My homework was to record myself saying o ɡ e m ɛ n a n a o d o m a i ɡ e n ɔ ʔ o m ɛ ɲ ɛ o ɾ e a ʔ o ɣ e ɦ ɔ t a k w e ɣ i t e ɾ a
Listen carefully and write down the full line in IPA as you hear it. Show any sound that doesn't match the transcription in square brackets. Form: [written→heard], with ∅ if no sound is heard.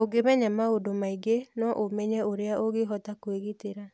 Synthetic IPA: o ɡ e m ɛ [n→ɲ] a [n→m] a o d o m a i ɡ e n ɔ ʔ o m ɛ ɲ ɛ o ɾ e a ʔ o ɣ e ɦ ɔ t a k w e ɣ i t e ɾ a